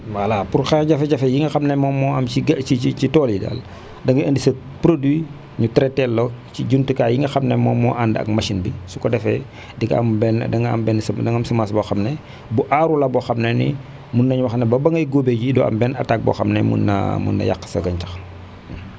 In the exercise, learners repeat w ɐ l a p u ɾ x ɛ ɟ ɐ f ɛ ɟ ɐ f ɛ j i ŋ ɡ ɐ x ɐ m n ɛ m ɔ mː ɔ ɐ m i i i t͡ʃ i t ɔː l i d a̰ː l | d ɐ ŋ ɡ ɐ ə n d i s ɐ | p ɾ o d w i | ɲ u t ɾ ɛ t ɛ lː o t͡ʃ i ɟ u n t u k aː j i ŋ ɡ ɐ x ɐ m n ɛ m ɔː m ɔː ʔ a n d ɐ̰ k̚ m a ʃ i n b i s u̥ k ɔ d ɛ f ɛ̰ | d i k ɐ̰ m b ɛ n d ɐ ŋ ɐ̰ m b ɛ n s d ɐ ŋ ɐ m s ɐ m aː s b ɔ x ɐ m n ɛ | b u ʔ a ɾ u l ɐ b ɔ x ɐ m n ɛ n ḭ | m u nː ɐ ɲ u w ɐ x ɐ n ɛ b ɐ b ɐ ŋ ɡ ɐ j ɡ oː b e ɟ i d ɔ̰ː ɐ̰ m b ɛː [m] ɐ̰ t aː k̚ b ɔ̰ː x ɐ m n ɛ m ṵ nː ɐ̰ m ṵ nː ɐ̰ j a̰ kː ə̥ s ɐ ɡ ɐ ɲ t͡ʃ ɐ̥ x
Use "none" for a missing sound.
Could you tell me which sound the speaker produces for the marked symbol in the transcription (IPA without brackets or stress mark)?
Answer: n